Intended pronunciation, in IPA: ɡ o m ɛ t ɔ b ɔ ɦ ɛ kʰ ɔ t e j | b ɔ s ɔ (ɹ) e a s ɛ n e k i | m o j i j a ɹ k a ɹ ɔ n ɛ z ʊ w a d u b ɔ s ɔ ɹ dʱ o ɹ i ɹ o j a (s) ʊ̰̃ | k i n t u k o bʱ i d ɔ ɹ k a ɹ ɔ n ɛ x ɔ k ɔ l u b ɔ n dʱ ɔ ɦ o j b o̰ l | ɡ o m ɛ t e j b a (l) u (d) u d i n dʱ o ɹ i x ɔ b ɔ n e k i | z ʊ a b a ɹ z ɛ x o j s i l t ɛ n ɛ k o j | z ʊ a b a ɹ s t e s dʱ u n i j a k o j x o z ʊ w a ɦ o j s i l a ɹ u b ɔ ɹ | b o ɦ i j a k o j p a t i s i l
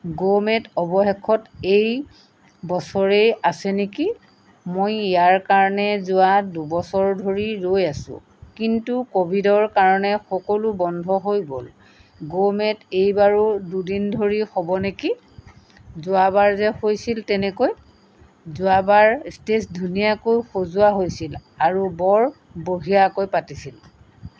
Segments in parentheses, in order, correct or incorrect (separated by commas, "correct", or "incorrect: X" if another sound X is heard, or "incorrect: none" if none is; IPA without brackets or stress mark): correct, correct, incorrect: ɹ, correct